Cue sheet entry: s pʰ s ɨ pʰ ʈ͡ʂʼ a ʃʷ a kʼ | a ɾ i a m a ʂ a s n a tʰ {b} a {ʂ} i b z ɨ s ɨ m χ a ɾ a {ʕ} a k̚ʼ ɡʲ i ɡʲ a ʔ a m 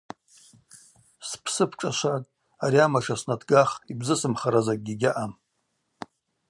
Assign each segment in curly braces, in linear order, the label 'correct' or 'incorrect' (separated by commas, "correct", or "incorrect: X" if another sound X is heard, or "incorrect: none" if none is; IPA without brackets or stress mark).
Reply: incorrect: ɡ, incorrect: χ, incorrect: z